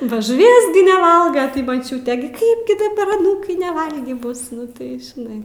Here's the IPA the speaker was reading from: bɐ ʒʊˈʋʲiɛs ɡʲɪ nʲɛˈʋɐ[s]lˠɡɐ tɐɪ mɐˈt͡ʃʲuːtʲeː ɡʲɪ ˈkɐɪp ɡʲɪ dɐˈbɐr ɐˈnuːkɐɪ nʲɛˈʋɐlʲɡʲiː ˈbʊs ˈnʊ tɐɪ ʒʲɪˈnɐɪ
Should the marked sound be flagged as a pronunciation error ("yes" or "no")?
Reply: yes